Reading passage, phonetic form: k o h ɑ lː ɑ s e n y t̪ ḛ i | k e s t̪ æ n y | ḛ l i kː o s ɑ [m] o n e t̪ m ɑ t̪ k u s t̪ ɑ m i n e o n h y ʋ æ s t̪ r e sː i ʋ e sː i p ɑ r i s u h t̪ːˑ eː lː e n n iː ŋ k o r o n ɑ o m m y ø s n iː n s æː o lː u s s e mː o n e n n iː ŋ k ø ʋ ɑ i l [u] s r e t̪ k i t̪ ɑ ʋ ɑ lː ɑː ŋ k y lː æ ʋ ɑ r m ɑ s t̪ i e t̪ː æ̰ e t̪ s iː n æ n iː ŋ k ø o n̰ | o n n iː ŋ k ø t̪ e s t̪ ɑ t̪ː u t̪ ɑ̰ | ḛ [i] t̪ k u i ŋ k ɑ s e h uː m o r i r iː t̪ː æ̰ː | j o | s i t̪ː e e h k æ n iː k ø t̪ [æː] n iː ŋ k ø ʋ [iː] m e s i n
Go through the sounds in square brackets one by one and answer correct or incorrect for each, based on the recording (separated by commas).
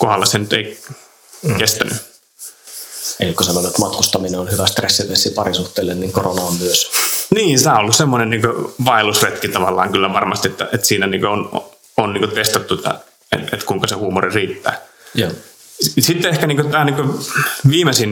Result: incorrect, correct, incorrect, correct, correct